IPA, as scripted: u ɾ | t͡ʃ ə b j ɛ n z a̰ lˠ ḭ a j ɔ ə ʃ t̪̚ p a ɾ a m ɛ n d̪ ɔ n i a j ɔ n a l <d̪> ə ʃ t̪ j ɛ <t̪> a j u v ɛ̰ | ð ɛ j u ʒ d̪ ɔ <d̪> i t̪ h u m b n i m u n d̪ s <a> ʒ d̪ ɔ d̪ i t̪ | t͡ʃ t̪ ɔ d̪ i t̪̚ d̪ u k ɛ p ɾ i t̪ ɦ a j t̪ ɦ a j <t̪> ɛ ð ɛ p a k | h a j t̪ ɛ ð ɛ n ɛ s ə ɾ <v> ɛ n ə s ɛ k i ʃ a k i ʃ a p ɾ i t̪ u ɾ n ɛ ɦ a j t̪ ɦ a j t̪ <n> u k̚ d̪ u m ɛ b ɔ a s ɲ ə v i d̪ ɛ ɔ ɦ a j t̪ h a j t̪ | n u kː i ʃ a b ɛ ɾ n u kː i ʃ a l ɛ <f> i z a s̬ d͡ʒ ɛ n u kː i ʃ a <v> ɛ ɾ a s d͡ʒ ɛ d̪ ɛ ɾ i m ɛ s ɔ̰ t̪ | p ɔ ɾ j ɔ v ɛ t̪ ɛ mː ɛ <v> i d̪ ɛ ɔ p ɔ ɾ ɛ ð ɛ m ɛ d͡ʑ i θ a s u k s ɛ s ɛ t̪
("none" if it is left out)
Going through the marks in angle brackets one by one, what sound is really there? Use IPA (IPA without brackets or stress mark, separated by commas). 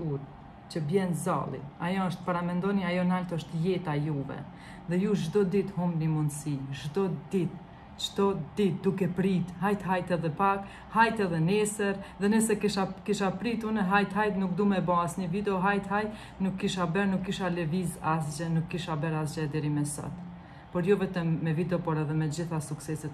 t̪, t̪, d̪, i, t̪, ð, n, v, b, v